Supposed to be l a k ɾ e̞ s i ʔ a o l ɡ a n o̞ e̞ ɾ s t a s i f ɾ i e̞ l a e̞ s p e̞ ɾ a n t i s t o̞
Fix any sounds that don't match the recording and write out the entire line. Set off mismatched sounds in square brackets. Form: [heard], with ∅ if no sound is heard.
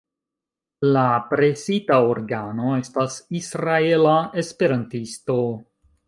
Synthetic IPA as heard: l a [p] ɾ e̞ s i [t] a o [ɾ] ɡ a n o̞ e̞ [∅] s t a s i [s] ɾ [a] e̞ l a e̞ s p e̞ ɾ a n t i s t o̞